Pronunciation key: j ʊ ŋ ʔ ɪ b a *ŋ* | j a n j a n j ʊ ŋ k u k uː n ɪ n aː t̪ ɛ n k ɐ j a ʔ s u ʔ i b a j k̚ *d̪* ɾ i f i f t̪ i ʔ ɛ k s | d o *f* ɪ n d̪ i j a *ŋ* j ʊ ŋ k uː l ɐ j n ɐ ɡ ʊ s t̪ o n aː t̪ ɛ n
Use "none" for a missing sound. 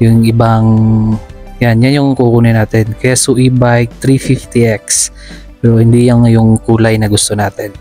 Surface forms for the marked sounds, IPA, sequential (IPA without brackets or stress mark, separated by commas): ŋ, t̪, h, ŋ